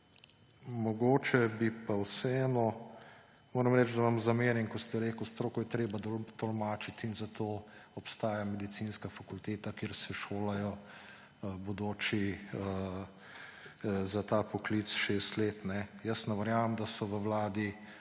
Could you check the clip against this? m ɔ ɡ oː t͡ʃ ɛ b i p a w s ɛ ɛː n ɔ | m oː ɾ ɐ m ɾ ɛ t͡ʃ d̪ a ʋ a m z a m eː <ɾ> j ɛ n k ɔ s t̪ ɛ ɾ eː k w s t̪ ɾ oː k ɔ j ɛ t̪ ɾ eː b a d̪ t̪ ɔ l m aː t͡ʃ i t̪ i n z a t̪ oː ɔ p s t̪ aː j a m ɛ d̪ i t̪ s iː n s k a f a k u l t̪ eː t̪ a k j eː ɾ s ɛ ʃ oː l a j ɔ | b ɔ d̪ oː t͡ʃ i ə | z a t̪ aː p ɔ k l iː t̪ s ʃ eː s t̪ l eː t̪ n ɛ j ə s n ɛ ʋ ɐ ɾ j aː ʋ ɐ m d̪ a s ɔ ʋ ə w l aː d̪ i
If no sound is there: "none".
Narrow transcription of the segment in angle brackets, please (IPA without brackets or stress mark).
ɾ